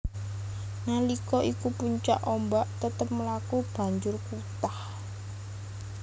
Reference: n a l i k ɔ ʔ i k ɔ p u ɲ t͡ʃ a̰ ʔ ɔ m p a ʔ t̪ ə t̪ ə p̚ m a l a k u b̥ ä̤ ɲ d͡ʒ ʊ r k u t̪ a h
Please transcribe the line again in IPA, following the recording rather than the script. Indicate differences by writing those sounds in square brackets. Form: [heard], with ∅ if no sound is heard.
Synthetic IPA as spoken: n a l i k ɔ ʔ i k [u] p u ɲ t͡ʃ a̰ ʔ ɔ m [b] a ʔ t̪ ə t̪ ə p̚ m [ə] l a k u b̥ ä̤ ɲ d͡ʒ ʊ r k u t̪ a h